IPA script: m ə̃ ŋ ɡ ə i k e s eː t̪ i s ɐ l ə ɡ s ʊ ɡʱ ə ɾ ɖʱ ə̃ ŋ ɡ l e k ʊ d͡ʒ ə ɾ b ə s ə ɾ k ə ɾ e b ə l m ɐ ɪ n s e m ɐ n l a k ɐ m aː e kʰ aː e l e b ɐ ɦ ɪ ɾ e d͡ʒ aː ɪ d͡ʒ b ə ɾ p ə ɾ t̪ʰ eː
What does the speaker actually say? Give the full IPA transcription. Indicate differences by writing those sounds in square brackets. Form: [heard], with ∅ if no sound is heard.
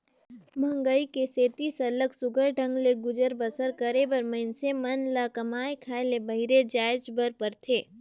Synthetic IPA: m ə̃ ŋ ɡ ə i k e s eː t̪ i s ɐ l ə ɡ s ʊ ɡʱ ə ɾ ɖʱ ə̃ ŋ ɡ l e [ɡ] ʊ d͡ʒ ə ɾ b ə s ə ɾ k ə ɾ e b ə [ɾ] m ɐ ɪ n s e m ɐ n l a k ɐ m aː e kʰ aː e l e b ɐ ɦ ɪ ɾ e d͡ʒ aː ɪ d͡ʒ b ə ɾ p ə ɾ t̪ʰ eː